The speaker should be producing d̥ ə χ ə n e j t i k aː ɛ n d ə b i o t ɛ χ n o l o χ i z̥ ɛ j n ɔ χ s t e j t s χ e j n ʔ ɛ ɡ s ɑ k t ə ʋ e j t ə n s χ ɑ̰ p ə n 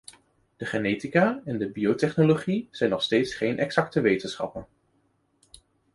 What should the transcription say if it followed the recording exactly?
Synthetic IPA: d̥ ə χ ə n e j t i k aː ɛ n d ə b i o t ɛ χ n o l o χ i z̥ ɛ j n ɔ χ s t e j t s χ e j n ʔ ɛ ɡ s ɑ k t ə ʋ e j t ə n s χ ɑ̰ p ə n

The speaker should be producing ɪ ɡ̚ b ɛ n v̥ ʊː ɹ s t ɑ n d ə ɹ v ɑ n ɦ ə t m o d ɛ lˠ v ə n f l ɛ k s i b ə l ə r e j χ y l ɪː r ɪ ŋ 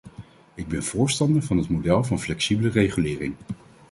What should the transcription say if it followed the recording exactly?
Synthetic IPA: ɪ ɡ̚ b ɛ n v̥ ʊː ɹ s t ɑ n d ə ɹ v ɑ n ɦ ə t m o d ɛ lˠ v ɑ n f l ɛ k s i b ə l ə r e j χ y l ɪː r ɪ ŋ

